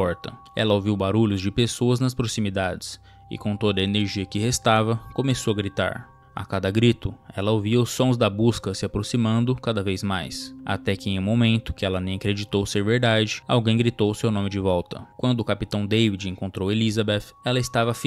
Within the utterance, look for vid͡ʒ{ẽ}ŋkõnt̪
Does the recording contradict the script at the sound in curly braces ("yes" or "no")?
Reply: no